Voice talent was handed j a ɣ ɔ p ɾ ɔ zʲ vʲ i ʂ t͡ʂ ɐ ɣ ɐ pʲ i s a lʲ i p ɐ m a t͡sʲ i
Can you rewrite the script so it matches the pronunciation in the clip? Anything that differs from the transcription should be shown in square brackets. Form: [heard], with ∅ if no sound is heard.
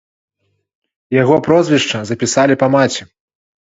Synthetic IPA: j a ɣ ɔ p ɾ ɔ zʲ vʲ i ʂ t͡ʂ ɐ [z] ɐ pʲ i s a lʲ i p ɐ m a t͡sʲ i